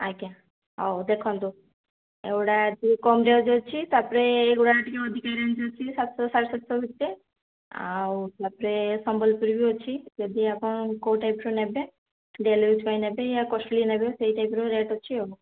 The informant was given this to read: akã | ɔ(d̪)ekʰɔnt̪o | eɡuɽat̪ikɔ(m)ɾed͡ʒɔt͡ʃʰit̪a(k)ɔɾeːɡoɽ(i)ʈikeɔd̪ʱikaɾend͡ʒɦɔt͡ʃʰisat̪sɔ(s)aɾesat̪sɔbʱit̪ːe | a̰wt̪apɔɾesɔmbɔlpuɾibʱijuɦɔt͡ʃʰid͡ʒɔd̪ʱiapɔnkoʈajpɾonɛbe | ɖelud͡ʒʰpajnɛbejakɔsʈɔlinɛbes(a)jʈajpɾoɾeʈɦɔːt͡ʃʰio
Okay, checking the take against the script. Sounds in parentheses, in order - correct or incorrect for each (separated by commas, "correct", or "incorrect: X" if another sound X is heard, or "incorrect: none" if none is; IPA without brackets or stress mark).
correct, correct, incorrect: p, incorrect: a, correct, incorrect: e